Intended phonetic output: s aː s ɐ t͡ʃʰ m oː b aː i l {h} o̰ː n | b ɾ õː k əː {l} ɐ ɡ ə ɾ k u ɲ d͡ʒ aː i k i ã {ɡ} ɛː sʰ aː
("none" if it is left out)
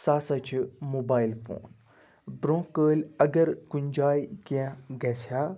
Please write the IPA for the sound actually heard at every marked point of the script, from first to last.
f, l, ɡ

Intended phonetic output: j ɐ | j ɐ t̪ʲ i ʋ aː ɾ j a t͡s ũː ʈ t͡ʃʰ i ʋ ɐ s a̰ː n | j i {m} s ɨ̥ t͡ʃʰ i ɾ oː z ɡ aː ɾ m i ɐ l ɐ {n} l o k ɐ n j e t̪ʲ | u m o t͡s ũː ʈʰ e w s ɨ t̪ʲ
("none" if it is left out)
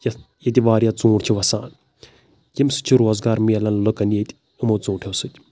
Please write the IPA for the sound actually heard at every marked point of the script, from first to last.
m, n

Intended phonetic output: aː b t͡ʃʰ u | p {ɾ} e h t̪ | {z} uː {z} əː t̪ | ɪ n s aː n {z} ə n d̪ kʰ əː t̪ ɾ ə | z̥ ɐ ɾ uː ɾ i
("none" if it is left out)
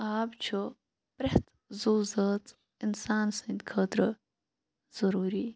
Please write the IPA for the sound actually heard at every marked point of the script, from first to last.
ɾ, z, z, s

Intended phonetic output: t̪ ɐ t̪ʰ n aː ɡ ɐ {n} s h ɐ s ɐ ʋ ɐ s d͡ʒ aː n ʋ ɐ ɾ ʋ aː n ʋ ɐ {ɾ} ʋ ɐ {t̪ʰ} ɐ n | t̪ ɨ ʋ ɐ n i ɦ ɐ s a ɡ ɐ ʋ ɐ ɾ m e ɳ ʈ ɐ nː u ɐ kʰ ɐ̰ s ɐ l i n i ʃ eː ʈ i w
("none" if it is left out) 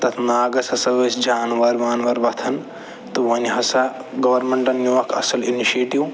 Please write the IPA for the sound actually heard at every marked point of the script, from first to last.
none, ɾ, t̪ʰ

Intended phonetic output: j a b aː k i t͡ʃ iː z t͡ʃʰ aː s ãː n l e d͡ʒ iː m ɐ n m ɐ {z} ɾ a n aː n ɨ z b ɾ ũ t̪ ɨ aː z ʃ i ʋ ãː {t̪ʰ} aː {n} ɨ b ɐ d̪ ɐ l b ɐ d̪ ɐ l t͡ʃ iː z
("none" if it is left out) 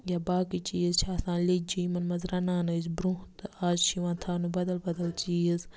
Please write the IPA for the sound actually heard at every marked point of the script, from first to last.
z, t̪ʰ, n

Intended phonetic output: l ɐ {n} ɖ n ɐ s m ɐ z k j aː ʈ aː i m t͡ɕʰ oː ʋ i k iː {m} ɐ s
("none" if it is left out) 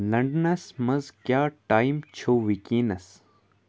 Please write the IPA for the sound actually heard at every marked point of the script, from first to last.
ɳ, n

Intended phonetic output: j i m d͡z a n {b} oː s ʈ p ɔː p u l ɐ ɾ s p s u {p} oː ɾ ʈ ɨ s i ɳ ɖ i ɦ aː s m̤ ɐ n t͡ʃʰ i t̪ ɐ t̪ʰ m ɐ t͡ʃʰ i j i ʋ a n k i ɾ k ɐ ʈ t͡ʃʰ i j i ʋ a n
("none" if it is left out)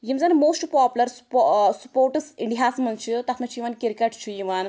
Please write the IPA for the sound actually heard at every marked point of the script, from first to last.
m, p

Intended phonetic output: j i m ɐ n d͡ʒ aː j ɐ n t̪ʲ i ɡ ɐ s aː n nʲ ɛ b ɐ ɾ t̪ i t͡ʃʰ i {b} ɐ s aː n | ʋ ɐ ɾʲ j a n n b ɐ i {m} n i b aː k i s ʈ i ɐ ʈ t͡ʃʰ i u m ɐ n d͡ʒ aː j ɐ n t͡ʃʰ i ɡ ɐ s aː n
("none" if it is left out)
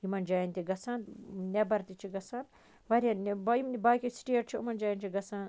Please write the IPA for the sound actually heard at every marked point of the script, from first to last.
ɡ, m

